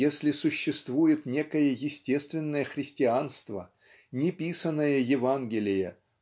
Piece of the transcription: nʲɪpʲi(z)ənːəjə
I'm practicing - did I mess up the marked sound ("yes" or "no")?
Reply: yes